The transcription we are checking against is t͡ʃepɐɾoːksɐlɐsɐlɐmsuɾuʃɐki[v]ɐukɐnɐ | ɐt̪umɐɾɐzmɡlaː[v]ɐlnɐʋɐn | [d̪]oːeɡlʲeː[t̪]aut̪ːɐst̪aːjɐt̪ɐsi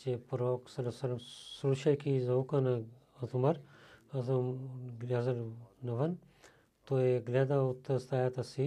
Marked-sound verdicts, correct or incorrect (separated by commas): incorrect, incorrect, incorrect, incorrect